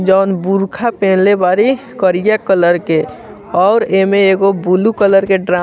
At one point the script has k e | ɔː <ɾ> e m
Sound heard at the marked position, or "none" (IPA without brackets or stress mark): ɾ